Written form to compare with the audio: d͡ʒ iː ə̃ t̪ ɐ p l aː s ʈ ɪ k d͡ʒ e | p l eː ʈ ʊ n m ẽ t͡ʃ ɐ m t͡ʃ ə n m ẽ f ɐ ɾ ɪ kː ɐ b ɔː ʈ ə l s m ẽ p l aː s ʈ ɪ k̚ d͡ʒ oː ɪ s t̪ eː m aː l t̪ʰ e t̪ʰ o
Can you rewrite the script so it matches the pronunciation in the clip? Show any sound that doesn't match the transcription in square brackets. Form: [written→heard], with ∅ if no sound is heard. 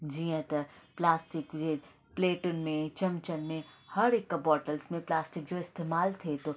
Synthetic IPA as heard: d͡ʒ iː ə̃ t̪ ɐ p l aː s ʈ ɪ k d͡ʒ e | p l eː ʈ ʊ n m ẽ t͡ʃ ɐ m t͡ʃ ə n m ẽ [f→h] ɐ ɾ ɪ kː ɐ b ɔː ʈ ə l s m ẽ p l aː s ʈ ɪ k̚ d͡ʒ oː ɪ s t̪ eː m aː l t̪ʰ e [t̪ʰ→t̪] o